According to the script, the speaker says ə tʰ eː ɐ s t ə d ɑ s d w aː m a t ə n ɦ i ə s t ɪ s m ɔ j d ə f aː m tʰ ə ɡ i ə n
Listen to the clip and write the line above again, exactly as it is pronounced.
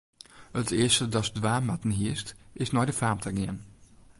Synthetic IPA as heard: ə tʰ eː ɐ s t ə d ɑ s d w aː m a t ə n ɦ i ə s t ɪ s n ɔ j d ə f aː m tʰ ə ɡ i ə n